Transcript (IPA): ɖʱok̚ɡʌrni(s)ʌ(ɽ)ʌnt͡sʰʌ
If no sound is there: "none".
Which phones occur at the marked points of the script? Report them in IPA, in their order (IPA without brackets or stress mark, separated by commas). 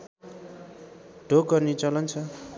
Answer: t͡s, l